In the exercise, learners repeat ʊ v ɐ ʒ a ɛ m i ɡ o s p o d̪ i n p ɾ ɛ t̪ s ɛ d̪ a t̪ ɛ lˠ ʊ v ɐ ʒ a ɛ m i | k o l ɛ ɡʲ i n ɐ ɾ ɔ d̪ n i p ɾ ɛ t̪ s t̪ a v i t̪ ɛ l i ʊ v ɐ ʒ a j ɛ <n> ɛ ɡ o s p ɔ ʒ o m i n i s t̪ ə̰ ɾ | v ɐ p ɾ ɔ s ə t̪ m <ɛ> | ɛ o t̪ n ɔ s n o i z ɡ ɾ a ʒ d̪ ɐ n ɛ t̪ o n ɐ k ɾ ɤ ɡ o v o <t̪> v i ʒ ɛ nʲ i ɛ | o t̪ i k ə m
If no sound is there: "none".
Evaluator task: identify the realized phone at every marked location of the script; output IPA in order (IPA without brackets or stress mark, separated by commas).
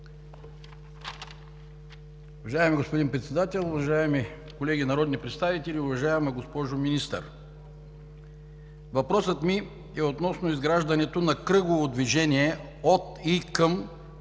m, i, d̪